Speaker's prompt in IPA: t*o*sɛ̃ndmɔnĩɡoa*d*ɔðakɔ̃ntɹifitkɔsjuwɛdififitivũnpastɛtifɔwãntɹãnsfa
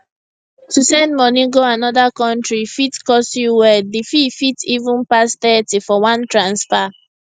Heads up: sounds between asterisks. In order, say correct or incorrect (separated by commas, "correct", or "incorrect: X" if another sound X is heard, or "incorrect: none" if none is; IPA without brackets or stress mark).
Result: incorrect: u, incorrect: n